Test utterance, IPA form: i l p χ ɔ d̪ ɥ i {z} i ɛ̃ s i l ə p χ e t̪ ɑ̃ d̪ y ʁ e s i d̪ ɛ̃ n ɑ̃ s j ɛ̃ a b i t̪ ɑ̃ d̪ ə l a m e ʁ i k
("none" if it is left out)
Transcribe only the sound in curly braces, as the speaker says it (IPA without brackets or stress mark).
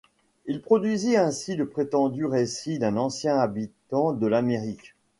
z